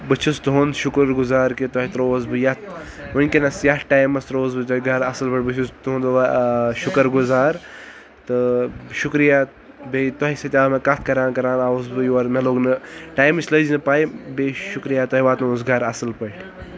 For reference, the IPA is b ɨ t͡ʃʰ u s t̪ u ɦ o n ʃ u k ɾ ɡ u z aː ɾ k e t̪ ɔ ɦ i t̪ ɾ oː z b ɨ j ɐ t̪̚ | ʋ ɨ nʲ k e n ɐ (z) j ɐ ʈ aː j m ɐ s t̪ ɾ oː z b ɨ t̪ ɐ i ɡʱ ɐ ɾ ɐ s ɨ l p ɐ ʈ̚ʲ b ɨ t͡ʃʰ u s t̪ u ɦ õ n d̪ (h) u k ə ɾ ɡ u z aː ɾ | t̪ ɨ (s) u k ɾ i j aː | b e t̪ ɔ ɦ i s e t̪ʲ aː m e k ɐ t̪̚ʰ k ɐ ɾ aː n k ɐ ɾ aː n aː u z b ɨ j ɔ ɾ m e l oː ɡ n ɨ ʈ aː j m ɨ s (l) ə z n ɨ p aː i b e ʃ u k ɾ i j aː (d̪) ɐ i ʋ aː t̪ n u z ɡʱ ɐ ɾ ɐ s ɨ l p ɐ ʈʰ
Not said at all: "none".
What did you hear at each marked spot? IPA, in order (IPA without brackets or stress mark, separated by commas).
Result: s, ʃ, ʃ, l, t̪